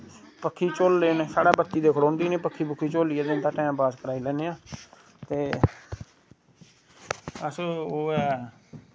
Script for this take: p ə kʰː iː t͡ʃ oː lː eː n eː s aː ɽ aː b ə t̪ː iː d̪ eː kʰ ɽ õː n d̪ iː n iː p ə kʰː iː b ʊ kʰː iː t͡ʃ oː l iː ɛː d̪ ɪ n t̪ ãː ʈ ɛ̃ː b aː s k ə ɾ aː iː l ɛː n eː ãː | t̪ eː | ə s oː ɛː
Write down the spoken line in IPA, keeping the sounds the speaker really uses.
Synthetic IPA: p ə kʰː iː t͡ʃ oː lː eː n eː s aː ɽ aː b ə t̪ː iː d̪ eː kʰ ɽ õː n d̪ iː n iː p ə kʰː iː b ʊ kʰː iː t͡ʃ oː l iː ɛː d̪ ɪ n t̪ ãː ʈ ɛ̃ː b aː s k ə ɾ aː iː l ɛː n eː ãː | t̪ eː | ə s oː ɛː